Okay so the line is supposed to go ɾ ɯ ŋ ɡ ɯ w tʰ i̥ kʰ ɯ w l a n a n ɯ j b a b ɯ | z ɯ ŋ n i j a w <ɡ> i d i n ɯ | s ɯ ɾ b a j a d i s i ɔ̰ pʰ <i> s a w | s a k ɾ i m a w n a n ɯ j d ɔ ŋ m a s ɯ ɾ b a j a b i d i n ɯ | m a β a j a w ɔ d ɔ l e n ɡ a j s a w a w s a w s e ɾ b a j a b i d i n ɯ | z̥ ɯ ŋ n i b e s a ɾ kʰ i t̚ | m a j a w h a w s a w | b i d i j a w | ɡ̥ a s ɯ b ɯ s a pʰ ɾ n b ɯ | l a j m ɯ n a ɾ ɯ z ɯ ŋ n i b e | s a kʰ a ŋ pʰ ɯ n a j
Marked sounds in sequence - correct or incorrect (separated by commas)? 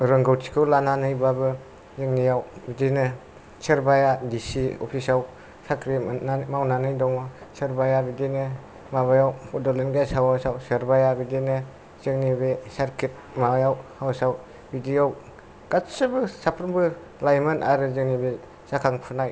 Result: incorrect, correct